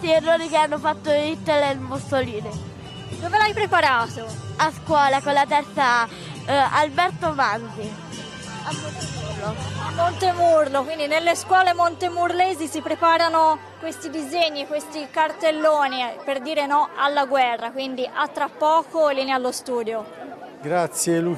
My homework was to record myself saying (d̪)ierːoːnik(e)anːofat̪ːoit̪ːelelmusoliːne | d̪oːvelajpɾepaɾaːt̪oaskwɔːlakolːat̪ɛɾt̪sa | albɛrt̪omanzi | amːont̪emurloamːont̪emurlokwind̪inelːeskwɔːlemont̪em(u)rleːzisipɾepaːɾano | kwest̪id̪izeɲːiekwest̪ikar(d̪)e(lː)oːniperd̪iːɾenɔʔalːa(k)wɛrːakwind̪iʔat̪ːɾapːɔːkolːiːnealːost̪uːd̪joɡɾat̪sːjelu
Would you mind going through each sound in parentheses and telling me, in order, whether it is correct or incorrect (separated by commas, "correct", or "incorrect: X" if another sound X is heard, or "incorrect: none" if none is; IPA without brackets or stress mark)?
incorrect: t̪, correct, correct, incorrect: t̪, correct, incorrect: ɡ